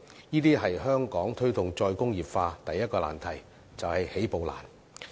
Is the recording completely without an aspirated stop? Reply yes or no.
no